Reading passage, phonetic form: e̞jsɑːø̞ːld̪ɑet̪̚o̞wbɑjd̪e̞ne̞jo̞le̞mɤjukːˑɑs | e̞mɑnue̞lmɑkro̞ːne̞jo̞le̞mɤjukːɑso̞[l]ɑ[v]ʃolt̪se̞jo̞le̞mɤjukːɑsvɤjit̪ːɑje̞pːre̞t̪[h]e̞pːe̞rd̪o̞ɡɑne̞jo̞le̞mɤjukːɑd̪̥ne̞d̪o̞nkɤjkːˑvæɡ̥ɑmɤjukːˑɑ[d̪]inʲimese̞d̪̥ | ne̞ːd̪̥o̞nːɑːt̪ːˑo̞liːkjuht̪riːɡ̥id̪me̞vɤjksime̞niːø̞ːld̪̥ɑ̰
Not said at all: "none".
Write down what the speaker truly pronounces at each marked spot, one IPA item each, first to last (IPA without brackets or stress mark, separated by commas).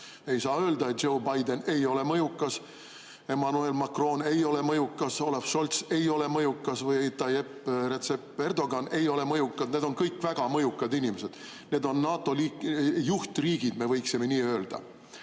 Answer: l, f, s, d̪